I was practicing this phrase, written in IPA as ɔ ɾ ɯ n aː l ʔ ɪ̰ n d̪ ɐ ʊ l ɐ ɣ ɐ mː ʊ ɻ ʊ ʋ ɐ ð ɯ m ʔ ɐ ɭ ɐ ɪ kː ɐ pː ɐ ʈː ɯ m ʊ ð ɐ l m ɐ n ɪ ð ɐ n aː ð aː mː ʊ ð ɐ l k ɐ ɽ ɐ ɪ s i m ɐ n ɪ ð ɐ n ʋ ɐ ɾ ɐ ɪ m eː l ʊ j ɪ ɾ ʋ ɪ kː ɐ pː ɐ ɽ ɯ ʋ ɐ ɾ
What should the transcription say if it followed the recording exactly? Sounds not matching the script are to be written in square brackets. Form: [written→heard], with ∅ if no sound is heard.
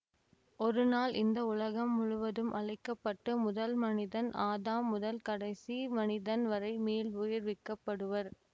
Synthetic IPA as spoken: ɔ ɾ ɯ n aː l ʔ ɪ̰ n d̪ ɐ ʊ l ɐ ɣ ɐ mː ʊ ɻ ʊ ʋ ɐ ð ɯ m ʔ ɐ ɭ ɐ ɪ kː ɐ pː ɐ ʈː ɯ m ʊ ð ɐ l m ɐ n ɪ ð ɐ n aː ð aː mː ʊ ð ɐ l k ɐ ɽ ɐ ɪ s i m ɐ n ɪ ð ɐ n ʋ ɐ ɾ ɐ ɪ m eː l ʊ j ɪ ɾ ʋ ɪ kː ɐ pː ɐ ɽ ɯ ʋ ɐ ɾ